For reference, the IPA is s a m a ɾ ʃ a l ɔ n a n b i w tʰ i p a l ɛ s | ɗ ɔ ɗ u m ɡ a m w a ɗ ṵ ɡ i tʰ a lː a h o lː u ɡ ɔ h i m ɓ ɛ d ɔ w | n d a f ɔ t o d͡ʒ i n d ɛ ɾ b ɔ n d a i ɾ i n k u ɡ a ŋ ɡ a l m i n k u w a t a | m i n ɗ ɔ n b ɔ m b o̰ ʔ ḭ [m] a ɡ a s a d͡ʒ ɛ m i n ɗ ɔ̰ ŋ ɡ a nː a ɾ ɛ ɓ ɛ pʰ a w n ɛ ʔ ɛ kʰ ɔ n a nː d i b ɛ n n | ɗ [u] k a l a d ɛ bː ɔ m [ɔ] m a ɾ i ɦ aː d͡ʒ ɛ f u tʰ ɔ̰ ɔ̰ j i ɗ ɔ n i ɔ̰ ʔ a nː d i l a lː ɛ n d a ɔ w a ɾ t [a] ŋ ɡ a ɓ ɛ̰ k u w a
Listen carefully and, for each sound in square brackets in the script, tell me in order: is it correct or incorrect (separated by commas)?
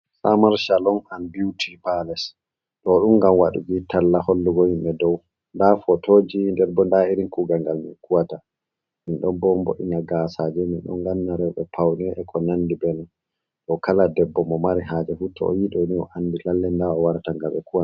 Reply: incorrect, incorrect, correct, correct